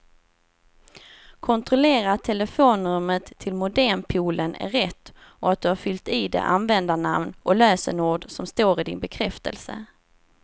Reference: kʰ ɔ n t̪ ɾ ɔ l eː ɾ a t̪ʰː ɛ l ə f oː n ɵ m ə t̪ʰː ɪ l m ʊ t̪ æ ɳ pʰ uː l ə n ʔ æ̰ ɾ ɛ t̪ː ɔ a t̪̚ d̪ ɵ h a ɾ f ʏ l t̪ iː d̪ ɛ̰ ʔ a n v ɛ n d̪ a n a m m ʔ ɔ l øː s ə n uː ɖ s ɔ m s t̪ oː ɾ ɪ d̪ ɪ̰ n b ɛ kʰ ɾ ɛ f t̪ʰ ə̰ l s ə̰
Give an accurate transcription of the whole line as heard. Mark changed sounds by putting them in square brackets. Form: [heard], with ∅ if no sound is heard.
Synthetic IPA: kʰ ɔ n t̪ ɾ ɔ l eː ɾ a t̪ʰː ɛ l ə f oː n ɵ m ə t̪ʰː ɪ l m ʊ [d̪] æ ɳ pʰ uː l ə n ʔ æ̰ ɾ ɛ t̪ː ɔ a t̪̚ d̪ ɵ h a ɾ f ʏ l t̪ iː d̪ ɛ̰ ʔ a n v ɛ n d̪ a n a m [n] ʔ ɔ l øː s ə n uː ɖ s ɔ m s t̪ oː ɾ ɪ d̪ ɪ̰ n b ɛ kʰ ɾ ɛ f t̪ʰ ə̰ l s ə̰